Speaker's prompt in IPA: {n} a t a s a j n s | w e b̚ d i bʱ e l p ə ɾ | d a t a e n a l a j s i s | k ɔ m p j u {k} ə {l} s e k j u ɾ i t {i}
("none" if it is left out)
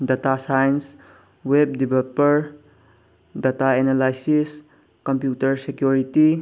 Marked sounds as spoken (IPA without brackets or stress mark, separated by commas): d, t, ɾ, i